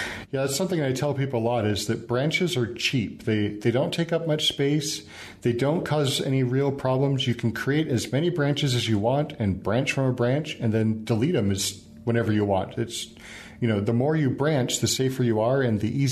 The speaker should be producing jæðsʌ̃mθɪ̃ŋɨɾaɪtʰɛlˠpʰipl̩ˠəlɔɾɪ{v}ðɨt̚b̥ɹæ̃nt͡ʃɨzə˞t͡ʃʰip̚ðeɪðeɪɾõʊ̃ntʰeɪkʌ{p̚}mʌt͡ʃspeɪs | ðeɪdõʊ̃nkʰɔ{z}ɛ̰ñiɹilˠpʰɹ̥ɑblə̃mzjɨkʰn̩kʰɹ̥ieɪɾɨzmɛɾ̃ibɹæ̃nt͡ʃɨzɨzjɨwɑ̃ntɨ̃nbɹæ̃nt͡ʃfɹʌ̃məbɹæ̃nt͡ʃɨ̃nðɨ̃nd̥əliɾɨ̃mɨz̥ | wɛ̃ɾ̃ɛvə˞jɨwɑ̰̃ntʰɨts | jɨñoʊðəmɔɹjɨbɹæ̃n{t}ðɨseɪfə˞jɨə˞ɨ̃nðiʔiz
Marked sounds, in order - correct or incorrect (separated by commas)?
incorrect, correct, correct, incorrect